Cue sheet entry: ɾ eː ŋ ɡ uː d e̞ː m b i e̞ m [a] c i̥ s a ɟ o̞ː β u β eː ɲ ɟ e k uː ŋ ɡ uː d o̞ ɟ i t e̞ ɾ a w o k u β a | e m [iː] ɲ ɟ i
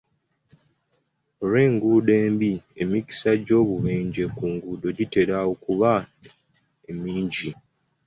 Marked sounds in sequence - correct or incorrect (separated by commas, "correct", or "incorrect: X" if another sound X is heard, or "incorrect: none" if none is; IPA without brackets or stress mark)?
incorrect: i, correct